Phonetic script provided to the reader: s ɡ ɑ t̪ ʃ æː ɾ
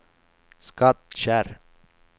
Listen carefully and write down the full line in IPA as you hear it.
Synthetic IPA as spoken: s k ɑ t̪ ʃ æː ɾ

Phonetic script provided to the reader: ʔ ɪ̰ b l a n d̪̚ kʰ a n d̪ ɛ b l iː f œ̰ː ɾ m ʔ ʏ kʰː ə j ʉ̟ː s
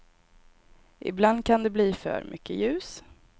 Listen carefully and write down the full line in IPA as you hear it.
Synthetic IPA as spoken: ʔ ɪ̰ b l a n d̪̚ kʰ a n d̪ ɛ b l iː f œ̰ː ɾ m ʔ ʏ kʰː ə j ʉ̟ː s

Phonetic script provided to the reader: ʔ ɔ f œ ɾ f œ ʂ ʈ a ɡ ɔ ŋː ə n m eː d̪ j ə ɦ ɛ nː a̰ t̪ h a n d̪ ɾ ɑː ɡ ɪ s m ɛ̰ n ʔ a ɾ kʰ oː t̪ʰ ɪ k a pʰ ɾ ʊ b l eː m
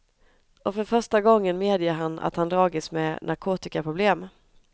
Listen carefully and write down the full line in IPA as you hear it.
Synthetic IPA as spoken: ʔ ɔ f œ ɾ f œ ʂ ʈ a ɡ ɔ ŋː ə n m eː d̪ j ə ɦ a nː a̰ t̪ h a n d̪ ɾ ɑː ɡ ɪ s m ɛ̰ n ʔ a ɾ kʰ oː t̪ ɪ k a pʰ ɾ ʊ b l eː m

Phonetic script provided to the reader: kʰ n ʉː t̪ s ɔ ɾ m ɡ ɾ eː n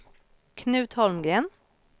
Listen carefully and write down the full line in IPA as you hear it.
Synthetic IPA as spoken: kʰ n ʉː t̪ h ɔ l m ɡ ɾ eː n

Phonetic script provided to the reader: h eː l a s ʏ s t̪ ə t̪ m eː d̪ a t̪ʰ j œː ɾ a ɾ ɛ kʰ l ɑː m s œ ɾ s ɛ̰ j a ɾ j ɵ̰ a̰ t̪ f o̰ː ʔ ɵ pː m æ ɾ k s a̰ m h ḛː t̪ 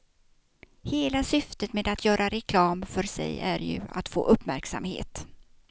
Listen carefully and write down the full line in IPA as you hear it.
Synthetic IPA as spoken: h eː l a s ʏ f t̪ ə t̪ m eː d̪ a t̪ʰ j œː ɾ a ɾ ɛ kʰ l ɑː m f œ ɾ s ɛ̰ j æ ɾ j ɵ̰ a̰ t̪ f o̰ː ʔ ɵ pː m æ ɾ k s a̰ m h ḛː t̪

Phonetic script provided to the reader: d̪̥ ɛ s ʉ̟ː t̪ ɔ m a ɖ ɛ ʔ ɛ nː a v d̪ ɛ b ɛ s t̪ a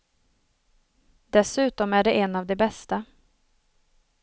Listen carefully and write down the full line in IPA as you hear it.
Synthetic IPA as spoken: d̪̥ ɛ s ʉ̟ː t̪ ɔ m æ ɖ ɛ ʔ ɛ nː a v d̪ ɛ b ɛ s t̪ a

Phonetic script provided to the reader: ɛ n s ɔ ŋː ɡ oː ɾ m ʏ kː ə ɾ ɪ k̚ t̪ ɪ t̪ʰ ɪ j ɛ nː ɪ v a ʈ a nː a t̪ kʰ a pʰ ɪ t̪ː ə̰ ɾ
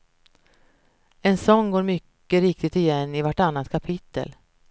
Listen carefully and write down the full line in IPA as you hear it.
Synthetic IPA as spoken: ɛ n s ɔ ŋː ɡ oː ɾ m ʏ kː ə ɾ ɪ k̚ t̪ ɪ t̪ ɪ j ɛ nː ɪ v a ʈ a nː a t̪ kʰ a pʰ ɪ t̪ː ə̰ l

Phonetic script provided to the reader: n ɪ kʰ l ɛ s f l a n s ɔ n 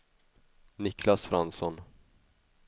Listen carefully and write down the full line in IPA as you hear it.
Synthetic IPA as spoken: n ɪ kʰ l a s f ɾ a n s ɔ n

